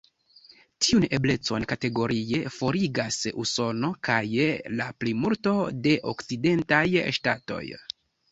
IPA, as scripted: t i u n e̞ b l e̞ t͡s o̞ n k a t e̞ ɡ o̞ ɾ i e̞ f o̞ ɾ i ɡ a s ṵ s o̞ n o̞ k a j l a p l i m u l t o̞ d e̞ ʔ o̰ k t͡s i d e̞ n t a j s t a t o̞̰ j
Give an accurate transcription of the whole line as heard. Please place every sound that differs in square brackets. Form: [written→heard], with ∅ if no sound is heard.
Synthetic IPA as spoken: t i u n e̞ b l e̞ t͡s o̞ n k a t e̞ ɡ o̞ ɾ i e̞ f o̞ ɾ i ɡ a s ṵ s o̞ n o̞ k a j l a p l i m u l t o̞ d e̞ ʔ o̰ k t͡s i d e̞ n t a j [s→ʃ] t a t o̞̰ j